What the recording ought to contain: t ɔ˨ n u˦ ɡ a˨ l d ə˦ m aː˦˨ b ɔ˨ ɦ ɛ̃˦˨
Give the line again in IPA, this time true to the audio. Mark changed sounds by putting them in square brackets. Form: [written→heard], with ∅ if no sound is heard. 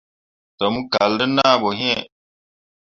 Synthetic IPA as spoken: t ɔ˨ [n→m] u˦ [ɡ→k] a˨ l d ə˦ [m→n] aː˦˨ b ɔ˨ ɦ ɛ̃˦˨